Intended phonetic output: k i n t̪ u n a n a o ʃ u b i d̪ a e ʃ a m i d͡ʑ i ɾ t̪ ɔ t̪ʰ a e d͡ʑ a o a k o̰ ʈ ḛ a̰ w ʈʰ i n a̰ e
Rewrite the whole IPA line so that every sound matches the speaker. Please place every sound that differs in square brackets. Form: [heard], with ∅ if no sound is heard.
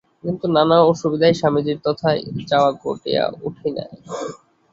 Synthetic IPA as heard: k i n t̪ u n a n a o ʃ u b i d̪ a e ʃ a m i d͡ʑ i ɾ t̪ ɔ t̪ʰ a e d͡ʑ a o a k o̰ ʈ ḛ a̰ [u] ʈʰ i n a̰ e